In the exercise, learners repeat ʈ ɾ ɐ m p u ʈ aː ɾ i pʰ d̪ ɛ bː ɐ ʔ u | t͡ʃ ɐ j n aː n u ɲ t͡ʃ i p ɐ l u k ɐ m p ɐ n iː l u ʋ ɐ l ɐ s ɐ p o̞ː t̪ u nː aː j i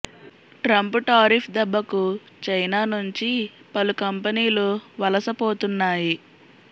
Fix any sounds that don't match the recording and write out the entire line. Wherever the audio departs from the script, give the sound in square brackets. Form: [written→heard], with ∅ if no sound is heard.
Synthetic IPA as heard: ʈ ɾ ɐ m p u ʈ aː ɾ i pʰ d̪ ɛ bː ɐ [ʔ→k] u | t͡ʃ ɐ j n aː n u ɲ t͡ʃ i p ɐ l u k ɐ m p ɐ n iː l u ʋ ɐ l ɐ s ɐ p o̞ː t̪ u nː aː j i